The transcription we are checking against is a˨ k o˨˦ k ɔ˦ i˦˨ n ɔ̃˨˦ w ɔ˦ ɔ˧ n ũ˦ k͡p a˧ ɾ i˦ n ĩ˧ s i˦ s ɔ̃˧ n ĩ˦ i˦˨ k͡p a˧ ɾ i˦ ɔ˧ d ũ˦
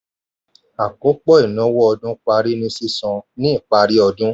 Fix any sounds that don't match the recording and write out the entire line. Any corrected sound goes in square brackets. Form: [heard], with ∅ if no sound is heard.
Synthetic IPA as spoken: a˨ k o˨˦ [k͡p] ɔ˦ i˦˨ n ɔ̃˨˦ w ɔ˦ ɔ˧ [d] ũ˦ k͡p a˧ ɾ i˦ n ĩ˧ s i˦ s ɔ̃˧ n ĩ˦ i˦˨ k͡p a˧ ɾ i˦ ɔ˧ d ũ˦